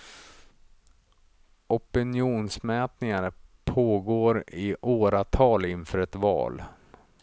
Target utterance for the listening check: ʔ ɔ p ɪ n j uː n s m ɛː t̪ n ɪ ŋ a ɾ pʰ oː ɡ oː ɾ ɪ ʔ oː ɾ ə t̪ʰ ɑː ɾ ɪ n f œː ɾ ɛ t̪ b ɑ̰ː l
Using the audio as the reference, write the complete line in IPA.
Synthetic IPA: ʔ ɔ p ɪ n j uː n s m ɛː t̪ n ɪ ŋ a ɾ pʰ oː ɡ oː ɾ ɪ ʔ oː ɾ a t̪ʰ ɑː l ɪ n f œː ɾ ɛ t̪ v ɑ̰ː l